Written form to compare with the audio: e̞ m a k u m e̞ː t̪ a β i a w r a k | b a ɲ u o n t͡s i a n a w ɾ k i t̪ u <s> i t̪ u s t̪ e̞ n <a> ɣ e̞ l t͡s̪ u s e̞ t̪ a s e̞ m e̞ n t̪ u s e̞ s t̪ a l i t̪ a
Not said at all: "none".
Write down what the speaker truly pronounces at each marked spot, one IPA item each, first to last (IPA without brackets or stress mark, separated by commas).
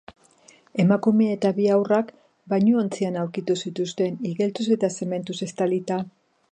s, i